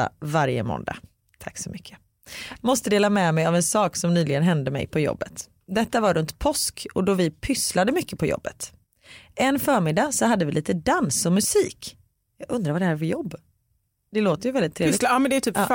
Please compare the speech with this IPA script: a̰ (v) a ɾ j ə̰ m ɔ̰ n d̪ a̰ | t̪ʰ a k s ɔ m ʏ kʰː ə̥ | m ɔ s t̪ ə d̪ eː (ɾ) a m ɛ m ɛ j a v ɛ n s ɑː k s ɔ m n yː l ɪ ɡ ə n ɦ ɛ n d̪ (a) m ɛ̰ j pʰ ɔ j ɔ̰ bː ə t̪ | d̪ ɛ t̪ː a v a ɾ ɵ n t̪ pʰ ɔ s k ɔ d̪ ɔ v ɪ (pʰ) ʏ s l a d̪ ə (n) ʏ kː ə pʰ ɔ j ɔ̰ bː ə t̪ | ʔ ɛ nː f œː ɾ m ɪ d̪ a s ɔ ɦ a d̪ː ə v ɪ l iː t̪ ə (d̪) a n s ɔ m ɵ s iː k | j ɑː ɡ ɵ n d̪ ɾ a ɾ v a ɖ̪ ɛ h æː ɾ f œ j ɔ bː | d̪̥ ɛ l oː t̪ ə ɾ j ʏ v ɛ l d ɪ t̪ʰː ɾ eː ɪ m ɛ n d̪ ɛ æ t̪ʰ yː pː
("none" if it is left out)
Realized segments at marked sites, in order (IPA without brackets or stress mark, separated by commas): v, l, ə, pʰ, m, d̪